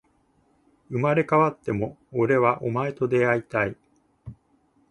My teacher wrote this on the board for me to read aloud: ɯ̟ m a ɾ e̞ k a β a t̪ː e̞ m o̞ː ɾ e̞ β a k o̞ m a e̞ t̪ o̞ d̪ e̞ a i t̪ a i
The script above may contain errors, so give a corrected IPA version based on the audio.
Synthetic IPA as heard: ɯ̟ m a ɾ e̞ k a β a t̪ː e̞ m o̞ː ɾ e̞ β a ʔ o̞ m a e̞ t̪ o̞ d̪ e̞ a i t̪ a i